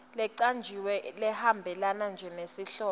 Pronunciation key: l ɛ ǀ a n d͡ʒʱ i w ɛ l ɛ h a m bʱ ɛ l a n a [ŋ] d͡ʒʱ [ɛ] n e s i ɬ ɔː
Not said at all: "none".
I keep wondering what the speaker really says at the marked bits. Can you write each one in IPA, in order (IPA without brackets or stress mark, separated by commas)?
n, ɛ